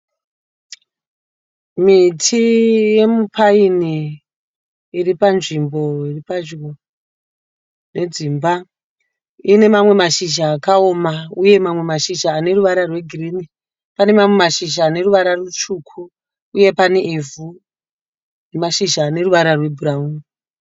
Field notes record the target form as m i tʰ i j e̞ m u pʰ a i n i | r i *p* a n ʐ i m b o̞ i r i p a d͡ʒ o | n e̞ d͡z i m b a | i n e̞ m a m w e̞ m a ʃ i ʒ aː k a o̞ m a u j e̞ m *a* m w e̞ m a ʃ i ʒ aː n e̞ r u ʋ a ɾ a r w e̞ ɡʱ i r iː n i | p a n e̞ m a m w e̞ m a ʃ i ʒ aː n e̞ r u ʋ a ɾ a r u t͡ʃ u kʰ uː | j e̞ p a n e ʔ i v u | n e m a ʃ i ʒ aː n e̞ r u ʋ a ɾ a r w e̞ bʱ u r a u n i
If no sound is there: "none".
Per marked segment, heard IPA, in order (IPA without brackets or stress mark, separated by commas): p, a